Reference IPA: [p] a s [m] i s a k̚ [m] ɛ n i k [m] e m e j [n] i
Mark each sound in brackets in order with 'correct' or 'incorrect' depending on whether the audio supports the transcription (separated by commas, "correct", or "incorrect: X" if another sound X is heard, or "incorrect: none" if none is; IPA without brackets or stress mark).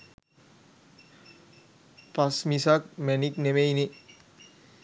correct, correct, correct, incorrect: n, correct